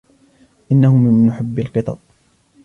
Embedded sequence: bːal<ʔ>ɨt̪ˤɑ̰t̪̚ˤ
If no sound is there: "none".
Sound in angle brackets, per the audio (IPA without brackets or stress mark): q